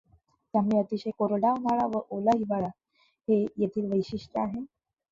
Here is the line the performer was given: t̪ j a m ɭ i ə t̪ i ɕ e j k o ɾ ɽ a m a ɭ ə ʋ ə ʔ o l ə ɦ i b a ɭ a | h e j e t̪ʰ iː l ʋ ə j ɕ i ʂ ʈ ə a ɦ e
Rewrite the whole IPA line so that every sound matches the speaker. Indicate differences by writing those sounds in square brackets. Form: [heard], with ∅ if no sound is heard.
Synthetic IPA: t̪ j a m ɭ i ə t̪ i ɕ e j k o ɾ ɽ a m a ɭ [a] ʋ ə ʔ o l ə ɦ i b a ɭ a | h e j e t̪ʰ iː l ʋ ə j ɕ i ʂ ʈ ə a ɦ e